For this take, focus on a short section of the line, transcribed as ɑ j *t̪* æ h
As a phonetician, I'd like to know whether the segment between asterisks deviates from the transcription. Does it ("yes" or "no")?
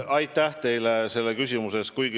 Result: no